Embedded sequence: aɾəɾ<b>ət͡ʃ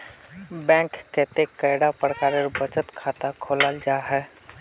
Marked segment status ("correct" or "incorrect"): correct